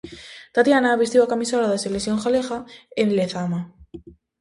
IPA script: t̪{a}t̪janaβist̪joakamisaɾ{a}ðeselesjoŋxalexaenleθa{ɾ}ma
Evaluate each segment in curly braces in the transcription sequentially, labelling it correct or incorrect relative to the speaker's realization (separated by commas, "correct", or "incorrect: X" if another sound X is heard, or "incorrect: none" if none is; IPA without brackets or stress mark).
correct, correct, incorrect: none